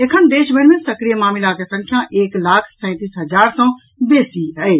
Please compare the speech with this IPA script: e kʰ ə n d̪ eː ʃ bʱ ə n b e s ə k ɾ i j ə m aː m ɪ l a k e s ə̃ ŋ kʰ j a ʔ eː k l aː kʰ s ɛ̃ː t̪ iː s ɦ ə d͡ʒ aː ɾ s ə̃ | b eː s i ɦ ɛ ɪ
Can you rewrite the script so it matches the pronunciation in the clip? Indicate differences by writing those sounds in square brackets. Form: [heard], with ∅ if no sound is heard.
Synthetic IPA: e kʰ ə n d̪ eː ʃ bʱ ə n [m] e s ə k ɾ i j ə m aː m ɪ l a k e s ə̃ ŋ kʰ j a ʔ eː k l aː kʰ s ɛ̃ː t̪ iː s ɦ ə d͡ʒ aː ɾ s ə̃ | b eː s i ɦ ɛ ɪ